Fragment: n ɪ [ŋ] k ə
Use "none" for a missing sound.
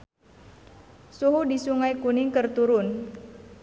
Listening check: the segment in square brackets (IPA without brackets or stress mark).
ŋ